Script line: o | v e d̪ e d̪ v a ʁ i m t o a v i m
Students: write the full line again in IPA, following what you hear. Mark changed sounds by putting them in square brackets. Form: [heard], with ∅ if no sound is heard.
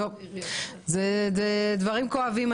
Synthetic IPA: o | [z] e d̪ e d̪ v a ʁ i m [k] o a v i m